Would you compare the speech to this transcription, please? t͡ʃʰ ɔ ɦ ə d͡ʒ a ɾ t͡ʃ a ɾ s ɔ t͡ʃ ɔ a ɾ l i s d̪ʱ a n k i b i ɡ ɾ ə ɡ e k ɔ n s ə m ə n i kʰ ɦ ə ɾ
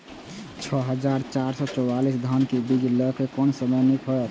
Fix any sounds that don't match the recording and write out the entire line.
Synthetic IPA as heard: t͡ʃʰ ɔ ɦ ə d͡ʒ a ɾ t͡ʃ a ɾ s ɔ t͡ʃ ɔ a l i s d̪ʱ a n k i b i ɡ l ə k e k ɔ n s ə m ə n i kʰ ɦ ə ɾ